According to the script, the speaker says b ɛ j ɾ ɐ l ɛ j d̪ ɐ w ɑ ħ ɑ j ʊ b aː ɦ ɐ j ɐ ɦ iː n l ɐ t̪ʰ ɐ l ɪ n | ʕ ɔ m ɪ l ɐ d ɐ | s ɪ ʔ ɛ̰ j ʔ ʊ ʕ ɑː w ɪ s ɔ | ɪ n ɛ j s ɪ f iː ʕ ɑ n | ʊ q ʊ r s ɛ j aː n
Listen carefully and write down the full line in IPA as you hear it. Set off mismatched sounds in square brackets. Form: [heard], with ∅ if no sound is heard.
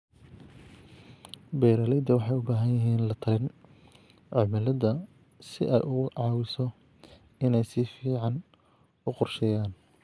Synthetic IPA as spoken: b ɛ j ɾ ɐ l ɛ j d̪ ɐ w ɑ ħ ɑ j ʊ b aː ɦ ɐ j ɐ ɦ iː n l ɐ t̪ʰ ɐ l ɪ n | ʕ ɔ m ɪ l ɐ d ɐ | s ɪ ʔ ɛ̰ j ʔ ʊ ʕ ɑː w ɪ s ɔ | ɪ n ɛ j s ɪ f iː ʕ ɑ n | ʊ q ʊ r [ʃ] ɛ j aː n